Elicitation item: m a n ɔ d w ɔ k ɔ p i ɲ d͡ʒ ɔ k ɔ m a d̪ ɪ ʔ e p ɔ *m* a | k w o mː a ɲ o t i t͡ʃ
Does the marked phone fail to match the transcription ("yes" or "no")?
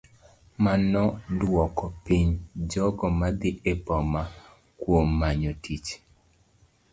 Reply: no